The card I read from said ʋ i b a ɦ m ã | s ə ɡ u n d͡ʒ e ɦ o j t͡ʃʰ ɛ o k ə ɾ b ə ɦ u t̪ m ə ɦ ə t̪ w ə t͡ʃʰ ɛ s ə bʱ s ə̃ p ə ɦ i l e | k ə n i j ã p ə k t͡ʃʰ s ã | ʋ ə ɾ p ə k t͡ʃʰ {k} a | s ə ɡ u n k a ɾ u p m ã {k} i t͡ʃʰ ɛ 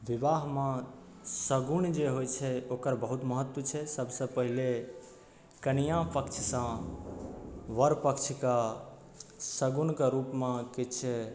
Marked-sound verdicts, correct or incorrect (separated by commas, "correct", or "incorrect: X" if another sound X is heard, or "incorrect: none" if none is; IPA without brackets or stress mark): correct, correct